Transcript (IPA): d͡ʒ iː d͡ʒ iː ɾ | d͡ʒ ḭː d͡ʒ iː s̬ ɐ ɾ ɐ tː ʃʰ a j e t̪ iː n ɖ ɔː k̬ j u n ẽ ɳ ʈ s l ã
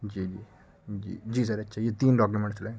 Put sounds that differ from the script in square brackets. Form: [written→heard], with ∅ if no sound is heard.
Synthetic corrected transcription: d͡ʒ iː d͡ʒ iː [ɾ→∅] | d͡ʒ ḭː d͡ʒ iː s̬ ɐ ɾ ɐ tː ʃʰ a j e t̪ iː n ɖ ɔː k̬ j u [n→m] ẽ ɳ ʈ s l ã